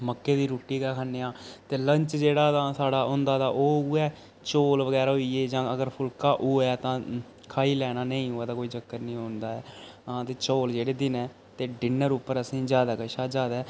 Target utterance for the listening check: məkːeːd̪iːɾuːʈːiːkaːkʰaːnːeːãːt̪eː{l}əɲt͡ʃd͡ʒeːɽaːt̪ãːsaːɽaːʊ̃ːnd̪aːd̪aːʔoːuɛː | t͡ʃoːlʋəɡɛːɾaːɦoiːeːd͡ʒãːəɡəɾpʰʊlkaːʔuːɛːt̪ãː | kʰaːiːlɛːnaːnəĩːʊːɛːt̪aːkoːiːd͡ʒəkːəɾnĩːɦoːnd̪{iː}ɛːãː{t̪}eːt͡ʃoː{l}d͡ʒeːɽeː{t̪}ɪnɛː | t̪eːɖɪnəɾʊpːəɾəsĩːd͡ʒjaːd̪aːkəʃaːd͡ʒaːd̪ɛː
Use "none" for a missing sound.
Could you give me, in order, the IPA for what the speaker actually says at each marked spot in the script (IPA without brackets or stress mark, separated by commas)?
l, aː, t̪, l, d̪